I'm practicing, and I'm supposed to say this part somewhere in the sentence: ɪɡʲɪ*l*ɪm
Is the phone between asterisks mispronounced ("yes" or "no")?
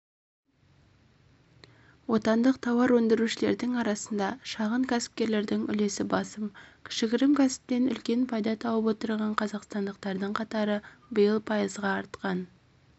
yes